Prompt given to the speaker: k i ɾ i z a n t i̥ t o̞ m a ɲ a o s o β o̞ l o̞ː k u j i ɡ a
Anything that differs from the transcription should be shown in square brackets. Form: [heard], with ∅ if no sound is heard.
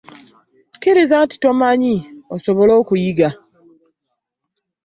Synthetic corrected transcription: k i ɾ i z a n t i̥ t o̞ m a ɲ [i] o s o β o̞ l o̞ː k u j i ɡ a